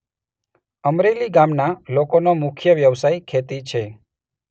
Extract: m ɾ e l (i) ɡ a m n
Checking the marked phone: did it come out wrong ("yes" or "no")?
no